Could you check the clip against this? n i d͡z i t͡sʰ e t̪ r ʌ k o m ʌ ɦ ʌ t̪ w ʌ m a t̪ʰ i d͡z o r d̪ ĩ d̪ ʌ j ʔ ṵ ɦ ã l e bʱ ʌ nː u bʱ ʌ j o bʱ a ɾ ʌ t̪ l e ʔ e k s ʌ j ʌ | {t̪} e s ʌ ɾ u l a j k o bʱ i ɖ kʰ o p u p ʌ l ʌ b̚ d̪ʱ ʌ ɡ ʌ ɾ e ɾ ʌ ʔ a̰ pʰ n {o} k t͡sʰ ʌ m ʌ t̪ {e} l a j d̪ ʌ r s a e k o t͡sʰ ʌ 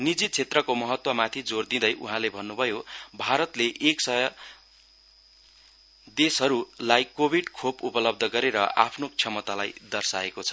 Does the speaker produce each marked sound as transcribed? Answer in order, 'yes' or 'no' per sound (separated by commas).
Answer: no, yes, no